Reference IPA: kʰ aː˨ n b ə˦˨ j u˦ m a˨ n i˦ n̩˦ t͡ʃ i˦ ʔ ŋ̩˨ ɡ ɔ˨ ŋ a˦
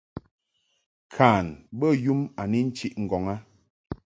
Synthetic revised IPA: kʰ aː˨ n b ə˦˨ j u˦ m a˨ n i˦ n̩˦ t͡ʃ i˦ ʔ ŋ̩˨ ɡ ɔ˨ ŋ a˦